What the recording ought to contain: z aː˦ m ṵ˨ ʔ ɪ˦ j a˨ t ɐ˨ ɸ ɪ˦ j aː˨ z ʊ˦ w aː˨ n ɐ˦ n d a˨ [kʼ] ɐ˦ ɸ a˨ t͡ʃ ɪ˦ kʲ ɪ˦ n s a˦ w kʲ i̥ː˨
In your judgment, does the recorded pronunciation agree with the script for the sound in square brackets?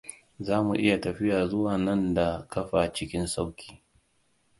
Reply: no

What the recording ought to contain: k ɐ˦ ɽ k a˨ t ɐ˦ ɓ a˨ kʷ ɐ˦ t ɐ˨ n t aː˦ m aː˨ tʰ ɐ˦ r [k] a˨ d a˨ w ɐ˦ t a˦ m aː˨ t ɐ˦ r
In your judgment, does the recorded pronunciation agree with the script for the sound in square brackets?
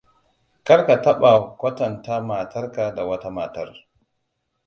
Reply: yes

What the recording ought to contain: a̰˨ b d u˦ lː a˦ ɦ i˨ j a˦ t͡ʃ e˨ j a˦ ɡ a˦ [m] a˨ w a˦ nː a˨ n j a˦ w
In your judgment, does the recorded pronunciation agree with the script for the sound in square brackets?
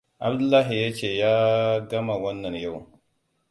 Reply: yes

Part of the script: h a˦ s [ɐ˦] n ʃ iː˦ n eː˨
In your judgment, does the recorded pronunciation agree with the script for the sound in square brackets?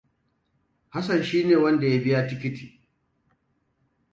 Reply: no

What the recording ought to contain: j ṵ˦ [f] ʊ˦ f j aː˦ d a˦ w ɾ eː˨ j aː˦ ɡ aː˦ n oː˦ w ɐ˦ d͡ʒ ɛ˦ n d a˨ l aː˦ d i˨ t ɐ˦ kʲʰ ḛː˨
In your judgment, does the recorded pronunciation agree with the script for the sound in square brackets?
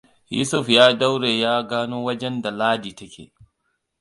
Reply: no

